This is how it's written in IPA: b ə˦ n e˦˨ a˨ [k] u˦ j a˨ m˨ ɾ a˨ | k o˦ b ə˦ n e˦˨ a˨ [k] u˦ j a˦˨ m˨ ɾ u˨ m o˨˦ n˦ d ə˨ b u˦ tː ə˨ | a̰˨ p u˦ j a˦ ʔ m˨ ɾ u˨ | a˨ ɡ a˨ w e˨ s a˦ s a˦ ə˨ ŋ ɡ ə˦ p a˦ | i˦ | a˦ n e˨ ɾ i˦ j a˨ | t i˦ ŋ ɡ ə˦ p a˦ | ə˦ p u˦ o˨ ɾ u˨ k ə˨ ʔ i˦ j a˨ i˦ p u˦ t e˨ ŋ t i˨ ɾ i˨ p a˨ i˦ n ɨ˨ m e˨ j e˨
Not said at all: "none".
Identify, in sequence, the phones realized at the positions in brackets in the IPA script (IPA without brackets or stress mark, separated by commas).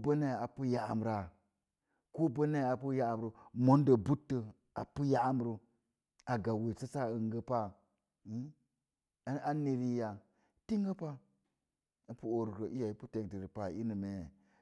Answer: p, p